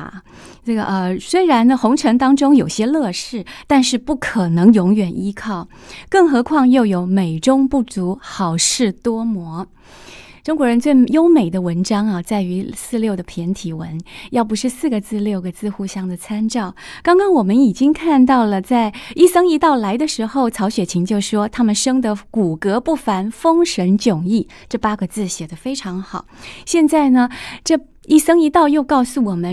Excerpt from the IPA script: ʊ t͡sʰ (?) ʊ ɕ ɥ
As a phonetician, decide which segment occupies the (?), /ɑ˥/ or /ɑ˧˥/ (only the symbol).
ɑ˧˥